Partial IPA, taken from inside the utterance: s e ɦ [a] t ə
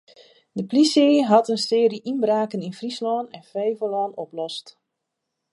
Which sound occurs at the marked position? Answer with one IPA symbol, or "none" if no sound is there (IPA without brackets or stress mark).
ɑ